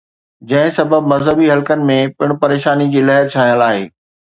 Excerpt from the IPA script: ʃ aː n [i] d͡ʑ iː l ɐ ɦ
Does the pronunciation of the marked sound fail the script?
no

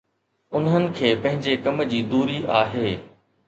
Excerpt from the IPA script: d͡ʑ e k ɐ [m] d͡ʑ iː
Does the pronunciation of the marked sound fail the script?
no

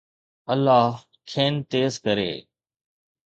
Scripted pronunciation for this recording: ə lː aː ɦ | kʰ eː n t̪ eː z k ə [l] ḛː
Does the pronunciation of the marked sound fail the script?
yes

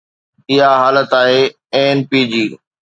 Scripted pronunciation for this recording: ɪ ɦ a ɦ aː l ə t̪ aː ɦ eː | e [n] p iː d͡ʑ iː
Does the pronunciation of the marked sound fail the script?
no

